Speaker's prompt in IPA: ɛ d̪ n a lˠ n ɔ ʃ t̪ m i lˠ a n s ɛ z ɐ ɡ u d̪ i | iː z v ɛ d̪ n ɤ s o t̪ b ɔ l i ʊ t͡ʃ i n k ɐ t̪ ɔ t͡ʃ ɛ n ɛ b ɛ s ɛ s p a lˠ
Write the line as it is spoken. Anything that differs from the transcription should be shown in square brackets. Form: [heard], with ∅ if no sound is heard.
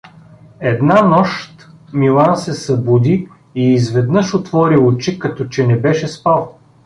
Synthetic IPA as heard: ɛ d̪ n a [∅] n ɔ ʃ t̪ m i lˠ a n s ɛ [s] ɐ [b] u d̪ i | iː z v ɛ d̪ n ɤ [ʃ] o t̪ [v] ɔ [ɾ] i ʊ t͡ʃ i [∅] k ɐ t̪ ɔ t͡ʃ ɛ n ɛ b ɛ [ʃ] ɛ s p a lˠ